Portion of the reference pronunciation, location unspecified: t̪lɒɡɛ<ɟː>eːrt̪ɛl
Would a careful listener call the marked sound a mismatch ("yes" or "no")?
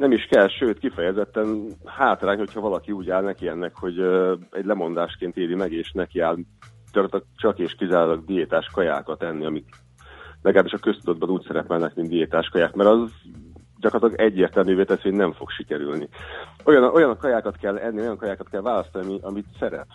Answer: no